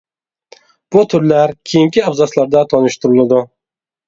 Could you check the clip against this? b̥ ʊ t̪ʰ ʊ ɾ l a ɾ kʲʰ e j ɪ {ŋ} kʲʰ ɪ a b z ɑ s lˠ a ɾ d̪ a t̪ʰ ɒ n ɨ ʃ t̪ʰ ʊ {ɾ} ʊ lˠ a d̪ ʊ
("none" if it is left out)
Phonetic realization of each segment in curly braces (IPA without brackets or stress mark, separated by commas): ŋ, ɾ